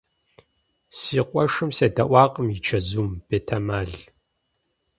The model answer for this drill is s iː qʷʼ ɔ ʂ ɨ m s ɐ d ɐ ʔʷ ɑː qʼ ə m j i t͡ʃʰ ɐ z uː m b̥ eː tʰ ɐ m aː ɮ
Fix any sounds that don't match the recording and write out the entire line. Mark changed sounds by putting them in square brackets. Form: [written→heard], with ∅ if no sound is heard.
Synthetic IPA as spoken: s iː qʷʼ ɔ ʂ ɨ m s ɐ d ɐ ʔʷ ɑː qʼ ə m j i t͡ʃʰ ɐ z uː m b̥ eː tʰ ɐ m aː ɮ